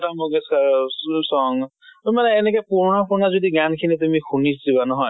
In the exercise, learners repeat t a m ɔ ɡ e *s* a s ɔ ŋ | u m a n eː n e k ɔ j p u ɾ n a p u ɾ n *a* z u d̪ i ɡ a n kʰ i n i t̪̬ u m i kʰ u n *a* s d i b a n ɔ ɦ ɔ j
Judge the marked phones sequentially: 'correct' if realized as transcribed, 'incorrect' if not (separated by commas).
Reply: correct, correct, incorrect